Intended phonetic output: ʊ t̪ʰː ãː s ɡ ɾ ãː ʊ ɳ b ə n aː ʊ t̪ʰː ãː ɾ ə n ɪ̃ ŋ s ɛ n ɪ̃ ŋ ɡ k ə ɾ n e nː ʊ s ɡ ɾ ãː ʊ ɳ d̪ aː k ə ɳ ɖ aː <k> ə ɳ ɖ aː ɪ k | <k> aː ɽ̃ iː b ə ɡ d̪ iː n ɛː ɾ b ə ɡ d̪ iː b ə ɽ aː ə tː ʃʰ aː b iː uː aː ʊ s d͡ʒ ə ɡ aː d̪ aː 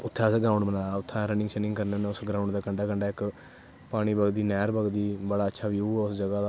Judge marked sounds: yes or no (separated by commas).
yes, no